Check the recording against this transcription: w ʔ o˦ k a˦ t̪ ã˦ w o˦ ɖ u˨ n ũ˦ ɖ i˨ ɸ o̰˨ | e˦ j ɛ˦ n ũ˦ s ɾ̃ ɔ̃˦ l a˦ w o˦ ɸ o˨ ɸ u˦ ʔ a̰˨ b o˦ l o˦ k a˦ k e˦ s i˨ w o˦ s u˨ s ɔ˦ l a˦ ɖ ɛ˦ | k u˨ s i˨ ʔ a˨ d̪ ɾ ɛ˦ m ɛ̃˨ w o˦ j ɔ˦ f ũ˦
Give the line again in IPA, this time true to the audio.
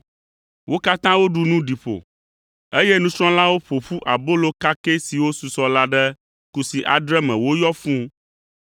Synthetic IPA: w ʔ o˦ k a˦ t̪ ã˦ w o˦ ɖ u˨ n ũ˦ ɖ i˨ ɸ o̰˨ | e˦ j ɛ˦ n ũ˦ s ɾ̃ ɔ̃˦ l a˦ w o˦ ɸ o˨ ɸ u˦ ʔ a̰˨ b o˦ l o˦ k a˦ k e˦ s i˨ w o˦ s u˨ s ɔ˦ l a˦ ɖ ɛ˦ | k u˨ s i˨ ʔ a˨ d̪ ɾ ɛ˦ m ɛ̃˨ w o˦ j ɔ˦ f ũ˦